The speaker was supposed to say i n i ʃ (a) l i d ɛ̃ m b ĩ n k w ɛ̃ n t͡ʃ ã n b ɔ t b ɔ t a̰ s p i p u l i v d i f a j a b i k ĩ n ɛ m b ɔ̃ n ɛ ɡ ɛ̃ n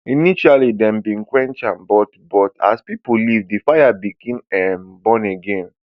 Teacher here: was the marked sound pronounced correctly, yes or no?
yes